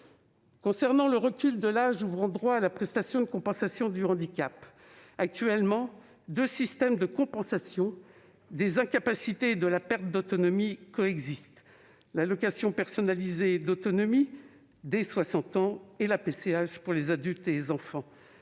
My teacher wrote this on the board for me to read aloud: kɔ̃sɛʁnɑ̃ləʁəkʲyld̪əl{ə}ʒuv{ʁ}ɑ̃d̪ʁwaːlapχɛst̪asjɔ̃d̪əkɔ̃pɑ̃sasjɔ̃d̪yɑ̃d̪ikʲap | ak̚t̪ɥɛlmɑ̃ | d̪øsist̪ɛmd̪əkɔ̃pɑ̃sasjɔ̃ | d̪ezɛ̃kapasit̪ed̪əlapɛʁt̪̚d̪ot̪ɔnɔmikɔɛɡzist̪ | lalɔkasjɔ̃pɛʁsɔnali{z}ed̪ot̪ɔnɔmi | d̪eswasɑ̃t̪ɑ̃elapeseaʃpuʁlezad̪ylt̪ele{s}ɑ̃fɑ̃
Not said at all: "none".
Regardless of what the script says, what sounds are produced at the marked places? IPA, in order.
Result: a, ʁ, z, z

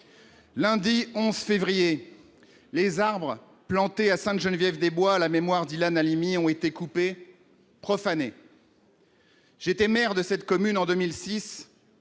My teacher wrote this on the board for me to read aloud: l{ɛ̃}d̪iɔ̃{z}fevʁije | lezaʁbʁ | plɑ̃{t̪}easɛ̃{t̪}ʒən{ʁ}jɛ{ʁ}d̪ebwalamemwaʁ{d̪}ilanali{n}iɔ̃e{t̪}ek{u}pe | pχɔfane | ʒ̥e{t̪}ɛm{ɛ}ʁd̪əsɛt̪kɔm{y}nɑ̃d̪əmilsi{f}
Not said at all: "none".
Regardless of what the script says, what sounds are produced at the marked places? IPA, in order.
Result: ɛ̃, z, t̪, t̪, v, v, d̪, m, t̪, u, t̪, ɛ, y, s

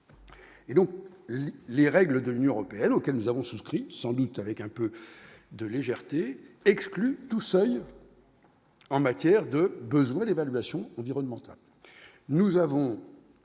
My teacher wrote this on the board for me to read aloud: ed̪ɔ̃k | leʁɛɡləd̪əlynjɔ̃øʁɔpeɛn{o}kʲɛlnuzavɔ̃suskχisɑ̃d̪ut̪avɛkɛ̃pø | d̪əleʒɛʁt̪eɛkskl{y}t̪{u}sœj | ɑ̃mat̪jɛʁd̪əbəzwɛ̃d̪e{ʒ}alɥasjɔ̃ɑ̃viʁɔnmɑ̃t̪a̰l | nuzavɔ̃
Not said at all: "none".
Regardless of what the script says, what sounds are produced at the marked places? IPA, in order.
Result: o, y, u, v

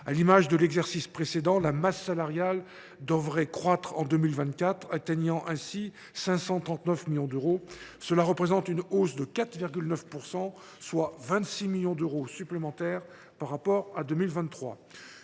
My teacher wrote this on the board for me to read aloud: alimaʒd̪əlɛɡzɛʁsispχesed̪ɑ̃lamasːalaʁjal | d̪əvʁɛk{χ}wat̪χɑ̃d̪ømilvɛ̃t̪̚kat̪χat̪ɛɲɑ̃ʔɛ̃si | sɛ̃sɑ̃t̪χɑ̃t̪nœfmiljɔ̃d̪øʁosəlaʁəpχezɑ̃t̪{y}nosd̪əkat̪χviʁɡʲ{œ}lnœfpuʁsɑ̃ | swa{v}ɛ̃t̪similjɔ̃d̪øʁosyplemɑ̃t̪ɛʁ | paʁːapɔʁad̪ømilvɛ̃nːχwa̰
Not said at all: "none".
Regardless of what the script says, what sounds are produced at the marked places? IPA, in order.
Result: χ, y, y, v

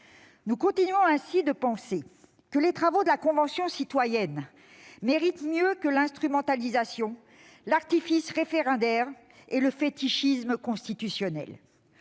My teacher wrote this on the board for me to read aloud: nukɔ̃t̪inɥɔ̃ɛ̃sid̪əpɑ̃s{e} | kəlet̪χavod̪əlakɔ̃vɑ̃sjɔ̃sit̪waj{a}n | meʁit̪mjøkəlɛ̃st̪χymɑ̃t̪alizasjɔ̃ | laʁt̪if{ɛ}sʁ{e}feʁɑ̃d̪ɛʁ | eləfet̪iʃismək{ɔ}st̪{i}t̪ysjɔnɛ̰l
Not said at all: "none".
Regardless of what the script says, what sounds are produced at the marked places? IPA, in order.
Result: e, ɛ, i, e, ɔ̃, i

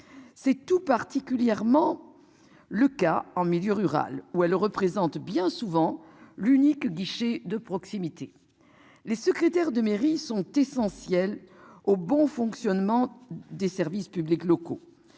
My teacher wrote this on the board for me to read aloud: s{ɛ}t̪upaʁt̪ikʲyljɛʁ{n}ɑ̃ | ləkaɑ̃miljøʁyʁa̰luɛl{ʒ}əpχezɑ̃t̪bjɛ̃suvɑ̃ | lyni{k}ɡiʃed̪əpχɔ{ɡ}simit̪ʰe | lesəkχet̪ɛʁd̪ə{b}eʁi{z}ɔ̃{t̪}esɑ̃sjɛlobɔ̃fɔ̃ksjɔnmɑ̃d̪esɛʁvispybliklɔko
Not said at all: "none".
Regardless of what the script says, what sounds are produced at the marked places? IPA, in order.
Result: ɛ, m, ʁ, k, k, m, s, t̪

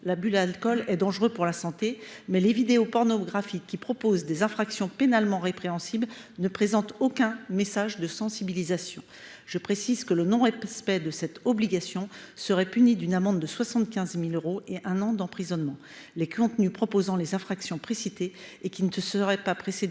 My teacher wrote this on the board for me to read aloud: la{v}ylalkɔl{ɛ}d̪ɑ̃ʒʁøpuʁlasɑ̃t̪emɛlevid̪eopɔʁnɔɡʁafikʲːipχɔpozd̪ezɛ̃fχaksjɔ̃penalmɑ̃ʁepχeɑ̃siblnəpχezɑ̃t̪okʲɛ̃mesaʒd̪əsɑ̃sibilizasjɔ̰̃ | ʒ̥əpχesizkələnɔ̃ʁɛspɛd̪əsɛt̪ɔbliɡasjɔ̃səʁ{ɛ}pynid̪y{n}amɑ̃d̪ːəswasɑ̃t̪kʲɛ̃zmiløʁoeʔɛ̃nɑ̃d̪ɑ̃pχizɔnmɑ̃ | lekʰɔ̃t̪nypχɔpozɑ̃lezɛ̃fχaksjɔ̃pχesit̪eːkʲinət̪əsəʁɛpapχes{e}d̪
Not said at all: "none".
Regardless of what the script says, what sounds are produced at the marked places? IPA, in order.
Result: b, ɛ, ɛ, n, e

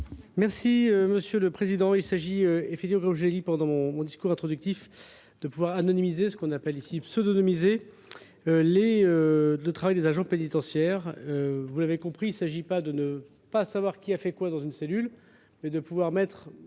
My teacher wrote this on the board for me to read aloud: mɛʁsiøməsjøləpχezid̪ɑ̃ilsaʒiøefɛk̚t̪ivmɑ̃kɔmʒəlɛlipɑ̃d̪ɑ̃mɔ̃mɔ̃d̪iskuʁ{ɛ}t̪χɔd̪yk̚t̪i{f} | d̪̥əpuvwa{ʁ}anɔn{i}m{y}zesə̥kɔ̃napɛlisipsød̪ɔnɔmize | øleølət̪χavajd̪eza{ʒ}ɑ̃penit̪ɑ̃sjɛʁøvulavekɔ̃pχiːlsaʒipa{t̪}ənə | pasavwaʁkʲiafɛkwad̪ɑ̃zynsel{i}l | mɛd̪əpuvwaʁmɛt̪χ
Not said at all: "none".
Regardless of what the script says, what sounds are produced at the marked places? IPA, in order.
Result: ɛ̃, f, ʁ, i, i, ʒ, d̪, y

